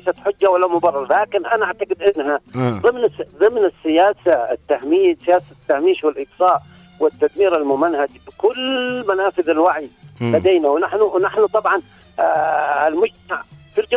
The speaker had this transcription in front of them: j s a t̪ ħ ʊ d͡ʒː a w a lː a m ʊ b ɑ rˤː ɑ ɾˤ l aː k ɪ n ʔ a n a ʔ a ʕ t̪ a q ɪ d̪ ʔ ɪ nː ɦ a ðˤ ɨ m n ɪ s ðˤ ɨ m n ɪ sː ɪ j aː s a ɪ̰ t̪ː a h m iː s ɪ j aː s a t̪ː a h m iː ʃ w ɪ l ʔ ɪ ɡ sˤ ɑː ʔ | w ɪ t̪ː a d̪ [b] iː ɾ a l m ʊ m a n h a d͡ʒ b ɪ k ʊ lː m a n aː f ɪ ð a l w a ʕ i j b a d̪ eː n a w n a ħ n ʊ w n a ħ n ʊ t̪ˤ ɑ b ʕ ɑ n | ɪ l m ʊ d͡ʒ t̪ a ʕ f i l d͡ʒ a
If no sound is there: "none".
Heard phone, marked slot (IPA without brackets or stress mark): m